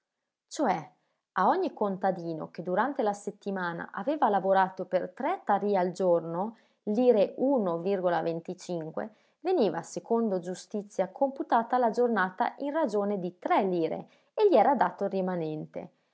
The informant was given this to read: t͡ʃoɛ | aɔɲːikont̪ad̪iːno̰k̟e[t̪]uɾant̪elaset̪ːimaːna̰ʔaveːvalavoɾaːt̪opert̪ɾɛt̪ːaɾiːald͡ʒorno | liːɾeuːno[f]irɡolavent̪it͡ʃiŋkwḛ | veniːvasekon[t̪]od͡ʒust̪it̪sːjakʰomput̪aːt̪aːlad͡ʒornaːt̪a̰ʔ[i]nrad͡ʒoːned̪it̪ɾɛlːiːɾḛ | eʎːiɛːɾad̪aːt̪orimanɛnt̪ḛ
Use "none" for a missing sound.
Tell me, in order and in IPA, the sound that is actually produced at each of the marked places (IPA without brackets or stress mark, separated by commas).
d̪, v, d̪, i